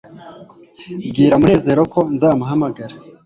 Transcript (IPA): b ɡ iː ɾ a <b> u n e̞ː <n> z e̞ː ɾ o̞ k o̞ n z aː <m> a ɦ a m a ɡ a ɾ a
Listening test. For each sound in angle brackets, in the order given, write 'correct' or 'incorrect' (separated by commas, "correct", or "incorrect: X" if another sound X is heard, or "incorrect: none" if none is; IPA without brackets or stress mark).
incorrect: m, incorrect: none, correct